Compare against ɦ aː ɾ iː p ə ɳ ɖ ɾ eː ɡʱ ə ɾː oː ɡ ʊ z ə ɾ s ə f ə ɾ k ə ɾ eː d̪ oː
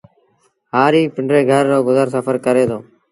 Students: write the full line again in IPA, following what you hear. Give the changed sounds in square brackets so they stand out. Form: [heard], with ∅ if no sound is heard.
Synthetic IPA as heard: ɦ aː ɾ iː p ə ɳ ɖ ɾ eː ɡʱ ə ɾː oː ɡ ʊ z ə ɾ s ə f ə ɾ k ə ɾ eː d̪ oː